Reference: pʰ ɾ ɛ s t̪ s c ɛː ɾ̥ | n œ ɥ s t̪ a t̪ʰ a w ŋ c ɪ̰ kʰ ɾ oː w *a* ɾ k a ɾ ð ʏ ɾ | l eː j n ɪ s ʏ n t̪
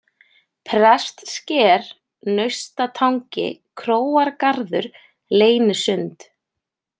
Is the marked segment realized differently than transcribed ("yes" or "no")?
no